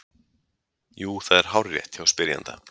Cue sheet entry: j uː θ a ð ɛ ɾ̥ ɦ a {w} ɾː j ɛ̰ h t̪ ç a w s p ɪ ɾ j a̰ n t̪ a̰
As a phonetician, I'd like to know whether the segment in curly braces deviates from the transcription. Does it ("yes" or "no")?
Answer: no